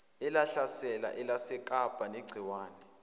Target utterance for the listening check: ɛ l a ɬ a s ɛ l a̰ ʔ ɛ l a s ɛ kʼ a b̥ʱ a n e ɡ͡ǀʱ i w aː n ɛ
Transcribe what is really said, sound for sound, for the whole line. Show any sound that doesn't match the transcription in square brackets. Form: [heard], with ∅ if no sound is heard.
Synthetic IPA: ɛ l a ɬ a s ɛ l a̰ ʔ ɛ l a s ɛ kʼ a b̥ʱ a n e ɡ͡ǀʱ i w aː n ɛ